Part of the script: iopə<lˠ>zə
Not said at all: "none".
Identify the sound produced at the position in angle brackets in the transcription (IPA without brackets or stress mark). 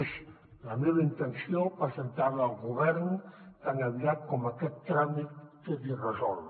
none